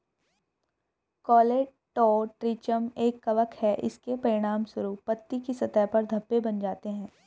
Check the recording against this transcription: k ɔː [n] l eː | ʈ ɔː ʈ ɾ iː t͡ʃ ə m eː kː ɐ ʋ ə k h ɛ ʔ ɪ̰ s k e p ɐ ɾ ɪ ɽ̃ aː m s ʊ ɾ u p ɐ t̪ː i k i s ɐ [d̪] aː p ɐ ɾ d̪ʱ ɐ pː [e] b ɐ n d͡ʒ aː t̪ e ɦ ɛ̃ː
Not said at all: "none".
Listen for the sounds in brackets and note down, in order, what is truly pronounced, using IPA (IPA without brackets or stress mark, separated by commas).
none, t̪, e